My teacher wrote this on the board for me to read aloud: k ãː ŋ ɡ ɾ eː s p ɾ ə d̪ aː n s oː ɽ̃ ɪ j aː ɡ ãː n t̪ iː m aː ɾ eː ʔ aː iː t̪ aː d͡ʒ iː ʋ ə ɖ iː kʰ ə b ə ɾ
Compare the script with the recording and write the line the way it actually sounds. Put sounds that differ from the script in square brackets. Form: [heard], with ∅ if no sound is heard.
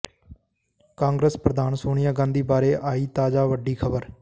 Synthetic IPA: k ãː ŋ ɡ ɾ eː s p ɾ ə d̪ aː n s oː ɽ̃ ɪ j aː ɡ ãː n [d̪] iː [b] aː ɾ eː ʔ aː iː t̪ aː d͡ʒ [aː] ʋ ə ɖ iː kʰ ə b ə ɾ